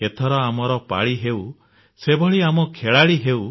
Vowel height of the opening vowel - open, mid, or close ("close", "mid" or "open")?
mid